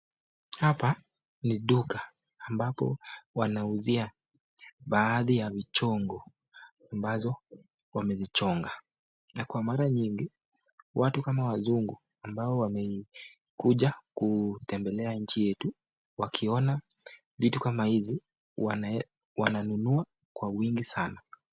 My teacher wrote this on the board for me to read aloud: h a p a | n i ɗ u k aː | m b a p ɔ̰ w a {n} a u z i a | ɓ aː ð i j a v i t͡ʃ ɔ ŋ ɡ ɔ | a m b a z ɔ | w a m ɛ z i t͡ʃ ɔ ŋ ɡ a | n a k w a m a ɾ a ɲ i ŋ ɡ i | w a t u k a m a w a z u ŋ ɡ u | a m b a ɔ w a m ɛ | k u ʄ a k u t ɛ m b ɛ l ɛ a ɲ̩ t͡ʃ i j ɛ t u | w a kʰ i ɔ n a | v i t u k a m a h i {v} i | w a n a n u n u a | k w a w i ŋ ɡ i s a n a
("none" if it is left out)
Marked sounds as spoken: n, z

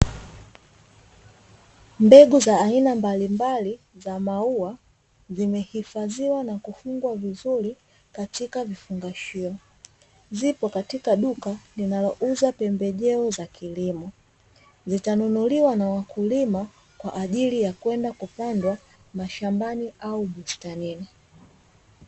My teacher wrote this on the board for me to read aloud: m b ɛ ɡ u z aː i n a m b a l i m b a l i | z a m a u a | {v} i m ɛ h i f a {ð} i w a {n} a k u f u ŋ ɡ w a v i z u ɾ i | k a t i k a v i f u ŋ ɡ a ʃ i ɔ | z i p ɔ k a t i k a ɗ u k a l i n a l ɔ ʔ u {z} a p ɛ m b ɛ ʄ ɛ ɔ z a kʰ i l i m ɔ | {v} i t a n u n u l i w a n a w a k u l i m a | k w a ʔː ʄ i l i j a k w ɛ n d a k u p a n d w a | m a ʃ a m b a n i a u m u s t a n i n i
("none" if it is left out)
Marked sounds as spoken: z, z, n, z, z

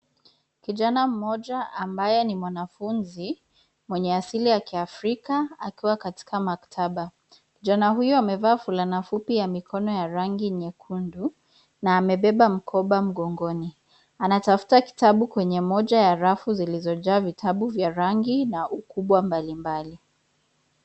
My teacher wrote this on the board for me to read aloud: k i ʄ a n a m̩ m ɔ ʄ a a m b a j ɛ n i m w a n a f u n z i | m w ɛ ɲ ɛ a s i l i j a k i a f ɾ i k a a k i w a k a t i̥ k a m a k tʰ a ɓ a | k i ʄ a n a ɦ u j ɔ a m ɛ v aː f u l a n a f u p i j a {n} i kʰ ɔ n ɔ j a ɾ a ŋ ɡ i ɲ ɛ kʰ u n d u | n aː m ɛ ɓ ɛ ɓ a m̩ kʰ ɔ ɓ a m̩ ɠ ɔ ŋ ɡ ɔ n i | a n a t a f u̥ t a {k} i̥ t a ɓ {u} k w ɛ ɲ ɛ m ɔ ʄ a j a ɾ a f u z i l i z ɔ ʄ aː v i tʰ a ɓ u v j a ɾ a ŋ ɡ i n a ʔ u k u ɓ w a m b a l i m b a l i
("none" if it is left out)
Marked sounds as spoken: m, k, u

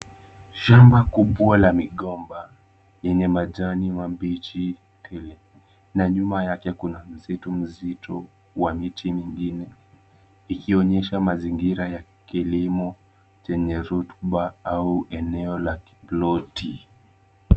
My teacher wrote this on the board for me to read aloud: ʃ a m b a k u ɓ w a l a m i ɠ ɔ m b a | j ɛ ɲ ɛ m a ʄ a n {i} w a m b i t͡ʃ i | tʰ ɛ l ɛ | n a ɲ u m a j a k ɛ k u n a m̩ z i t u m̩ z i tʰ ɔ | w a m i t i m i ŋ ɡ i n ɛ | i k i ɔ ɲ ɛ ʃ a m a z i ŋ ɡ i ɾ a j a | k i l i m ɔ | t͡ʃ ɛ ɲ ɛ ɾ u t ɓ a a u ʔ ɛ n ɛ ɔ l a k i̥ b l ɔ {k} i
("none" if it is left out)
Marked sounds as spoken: i, t

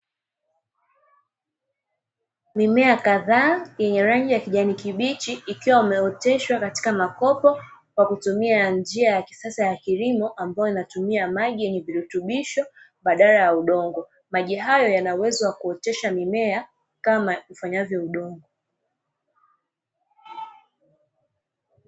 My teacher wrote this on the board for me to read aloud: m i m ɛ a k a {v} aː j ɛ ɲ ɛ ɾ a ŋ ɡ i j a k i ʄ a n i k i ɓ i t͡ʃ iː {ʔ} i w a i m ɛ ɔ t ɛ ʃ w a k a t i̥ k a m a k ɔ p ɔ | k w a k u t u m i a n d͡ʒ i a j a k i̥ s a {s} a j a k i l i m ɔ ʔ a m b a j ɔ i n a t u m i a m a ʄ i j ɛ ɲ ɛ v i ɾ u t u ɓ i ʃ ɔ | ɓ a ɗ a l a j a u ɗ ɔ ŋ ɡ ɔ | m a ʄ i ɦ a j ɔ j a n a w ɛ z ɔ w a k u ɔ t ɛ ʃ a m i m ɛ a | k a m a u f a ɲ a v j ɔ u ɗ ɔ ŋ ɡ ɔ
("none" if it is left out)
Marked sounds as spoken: ð, k, s

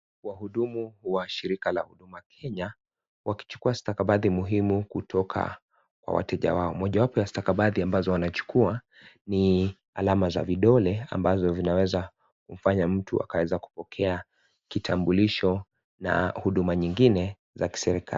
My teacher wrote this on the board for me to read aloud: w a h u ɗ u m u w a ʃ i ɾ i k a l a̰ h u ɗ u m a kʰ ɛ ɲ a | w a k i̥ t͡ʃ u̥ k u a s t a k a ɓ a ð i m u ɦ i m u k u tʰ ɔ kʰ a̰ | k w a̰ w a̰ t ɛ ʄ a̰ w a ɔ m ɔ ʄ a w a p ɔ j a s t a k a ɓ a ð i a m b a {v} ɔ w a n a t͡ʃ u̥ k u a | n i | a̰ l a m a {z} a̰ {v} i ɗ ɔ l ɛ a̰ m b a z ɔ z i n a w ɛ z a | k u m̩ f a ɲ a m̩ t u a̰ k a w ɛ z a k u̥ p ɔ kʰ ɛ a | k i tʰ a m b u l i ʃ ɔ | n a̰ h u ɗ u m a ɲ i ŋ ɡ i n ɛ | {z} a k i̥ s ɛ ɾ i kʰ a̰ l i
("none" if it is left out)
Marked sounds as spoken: z, z, v, z

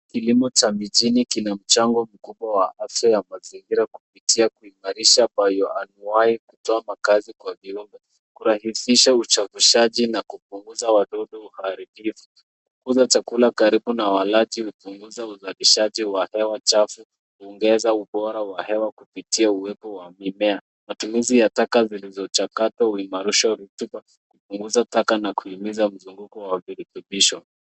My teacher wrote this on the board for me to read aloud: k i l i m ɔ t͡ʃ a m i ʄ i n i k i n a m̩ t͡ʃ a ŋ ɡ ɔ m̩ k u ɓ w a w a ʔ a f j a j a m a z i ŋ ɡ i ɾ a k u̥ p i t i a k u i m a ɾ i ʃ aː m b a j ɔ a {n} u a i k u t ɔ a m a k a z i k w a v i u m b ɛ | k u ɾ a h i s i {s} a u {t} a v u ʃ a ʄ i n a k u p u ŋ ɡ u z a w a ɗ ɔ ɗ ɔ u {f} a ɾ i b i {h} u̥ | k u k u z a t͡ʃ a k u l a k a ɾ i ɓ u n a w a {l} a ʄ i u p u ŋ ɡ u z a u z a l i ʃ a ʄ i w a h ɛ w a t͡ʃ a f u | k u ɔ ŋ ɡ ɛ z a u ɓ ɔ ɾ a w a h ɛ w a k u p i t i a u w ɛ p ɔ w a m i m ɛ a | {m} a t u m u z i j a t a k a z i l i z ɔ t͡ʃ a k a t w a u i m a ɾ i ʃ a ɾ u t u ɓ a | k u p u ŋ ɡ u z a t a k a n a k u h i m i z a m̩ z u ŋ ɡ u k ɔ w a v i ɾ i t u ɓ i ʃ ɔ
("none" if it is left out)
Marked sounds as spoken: n, ʃ, t͡ʃ, h, f, l, m

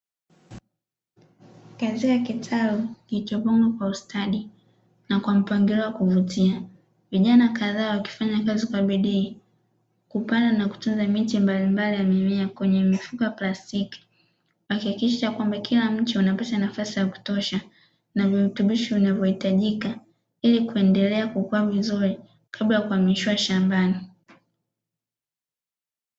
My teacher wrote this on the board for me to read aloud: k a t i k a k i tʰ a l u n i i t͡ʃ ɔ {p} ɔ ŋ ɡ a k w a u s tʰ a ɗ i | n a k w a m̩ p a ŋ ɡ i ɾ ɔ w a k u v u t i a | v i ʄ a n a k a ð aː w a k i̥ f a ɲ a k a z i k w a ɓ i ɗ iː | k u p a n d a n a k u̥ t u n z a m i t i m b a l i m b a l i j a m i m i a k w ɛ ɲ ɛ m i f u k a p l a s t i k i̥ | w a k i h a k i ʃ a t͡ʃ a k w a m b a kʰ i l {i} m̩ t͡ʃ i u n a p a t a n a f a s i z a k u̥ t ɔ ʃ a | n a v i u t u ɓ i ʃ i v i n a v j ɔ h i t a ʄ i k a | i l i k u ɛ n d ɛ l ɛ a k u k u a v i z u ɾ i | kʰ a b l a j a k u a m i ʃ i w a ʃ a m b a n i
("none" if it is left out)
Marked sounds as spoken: p, a

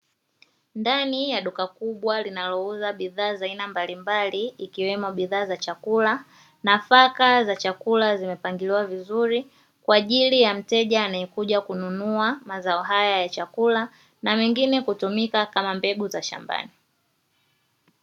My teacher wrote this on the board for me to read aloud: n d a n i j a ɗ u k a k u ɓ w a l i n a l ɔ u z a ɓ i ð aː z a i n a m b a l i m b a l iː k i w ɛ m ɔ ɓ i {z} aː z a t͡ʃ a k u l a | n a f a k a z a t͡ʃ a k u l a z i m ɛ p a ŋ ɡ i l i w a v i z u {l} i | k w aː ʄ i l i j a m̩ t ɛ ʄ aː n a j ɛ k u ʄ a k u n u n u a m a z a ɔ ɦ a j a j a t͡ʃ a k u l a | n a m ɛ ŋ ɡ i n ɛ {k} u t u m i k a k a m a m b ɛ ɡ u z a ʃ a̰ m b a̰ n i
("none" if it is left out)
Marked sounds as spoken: ð, ɾ, k

